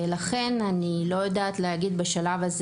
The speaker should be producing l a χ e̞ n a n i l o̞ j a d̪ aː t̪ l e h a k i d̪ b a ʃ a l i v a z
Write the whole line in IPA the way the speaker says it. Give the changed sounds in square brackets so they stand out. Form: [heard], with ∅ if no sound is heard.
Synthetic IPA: l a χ e̞ n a n i l o̞ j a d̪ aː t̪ l e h a [ɡ] i d̪ b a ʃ a l [a] v a z

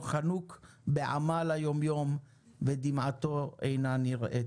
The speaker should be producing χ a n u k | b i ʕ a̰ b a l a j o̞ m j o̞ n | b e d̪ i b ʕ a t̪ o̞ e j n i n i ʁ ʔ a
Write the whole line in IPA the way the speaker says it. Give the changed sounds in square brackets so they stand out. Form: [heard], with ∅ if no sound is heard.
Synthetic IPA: χ a n u k | b [e] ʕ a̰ [m] a l a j o̞ m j o̞ [m] | [v] e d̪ i [m] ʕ a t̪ o̞ e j n [a] n i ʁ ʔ [e]

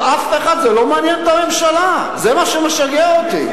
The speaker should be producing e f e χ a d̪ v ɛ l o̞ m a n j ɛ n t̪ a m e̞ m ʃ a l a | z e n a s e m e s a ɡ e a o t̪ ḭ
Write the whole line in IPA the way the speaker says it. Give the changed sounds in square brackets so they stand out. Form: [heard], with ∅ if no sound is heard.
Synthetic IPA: [a] f e χ a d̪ [z] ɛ l o̞ m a n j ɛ n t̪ a m e̞ m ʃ a l a | z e [m] a [ʃ] e m e [ʃ] a ɡ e a o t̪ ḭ

